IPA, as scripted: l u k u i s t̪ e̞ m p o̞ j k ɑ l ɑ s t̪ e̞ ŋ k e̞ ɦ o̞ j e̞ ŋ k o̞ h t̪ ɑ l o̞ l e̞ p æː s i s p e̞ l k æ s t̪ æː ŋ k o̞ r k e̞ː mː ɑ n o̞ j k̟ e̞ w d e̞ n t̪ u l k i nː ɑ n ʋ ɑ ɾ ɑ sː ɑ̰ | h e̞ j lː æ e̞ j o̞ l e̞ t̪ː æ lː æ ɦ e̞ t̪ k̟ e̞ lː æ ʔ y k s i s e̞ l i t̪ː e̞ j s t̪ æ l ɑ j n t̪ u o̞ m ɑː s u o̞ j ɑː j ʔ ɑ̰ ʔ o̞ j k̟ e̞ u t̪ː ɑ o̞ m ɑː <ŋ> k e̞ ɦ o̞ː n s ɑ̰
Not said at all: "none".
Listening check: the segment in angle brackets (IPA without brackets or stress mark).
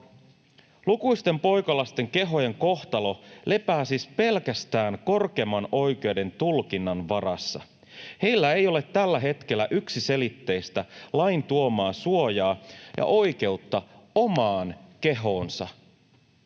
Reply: n